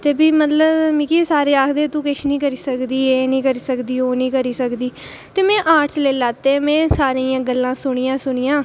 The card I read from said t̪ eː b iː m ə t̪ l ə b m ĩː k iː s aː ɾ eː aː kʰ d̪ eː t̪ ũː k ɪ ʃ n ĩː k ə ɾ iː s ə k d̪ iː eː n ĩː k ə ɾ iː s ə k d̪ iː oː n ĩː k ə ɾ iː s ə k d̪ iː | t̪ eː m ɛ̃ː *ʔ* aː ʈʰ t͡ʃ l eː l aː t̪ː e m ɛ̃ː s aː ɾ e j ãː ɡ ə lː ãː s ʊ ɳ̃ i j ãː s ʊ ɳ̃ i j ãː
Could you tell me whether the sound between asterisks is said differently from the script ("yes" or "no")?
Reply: no